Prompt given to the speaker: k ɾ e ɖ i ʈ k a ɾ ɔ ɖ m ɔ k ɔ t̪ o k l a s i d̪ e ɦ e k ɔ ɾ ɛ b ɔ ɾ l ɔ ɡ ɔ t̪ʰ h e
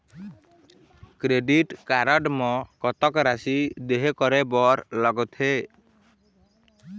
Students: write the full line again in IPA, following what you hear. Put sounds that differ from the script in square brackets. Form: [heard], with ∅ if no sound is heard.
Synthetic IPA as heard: k ɾ e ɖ i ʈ k a ɾ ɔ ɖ m ɔ k ɔ t̪ [ɔ] k [ɾ] a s i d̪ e ɦ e k ɔ ɾ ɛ b ɔ ɾ l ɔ ɡ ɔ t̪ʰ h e